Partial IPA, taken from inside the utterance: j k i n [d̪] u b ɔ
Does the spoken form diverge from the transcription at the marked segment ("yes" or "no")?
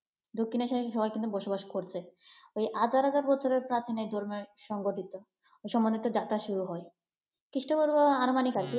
yes